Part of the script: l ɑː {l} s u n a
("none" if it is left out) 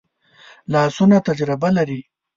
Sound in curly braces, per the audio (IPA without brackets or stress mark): none